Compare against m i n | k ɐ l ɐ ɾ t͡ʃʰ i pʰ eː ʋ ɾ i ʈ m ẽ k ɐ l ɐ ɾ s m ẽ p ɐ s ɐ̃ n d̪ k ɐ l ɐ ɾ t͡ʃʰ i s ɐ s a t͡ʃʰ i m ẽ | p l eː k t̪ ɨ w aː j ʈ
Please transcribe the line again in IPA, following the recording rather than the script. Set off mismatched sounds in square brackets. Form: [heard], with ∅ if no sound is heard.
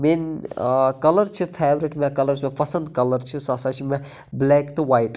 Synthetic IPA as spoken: m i n | k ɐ l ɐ ɾ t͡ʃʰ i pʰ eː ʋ ɾ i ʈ m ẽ k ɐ l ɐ ɾ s m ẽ p ɐ s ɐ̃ n d̪ k ɐ l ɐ ɾ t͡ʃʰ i s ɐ s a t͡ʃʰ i m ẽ | [b] l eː k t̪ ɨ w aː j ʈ